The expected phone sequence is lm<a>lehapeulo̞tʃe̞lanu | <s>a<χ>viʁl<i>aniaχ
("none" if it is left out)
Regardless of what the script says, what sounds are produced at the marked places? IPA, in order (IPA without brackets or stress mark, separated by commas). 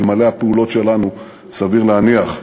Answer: a, s, none, e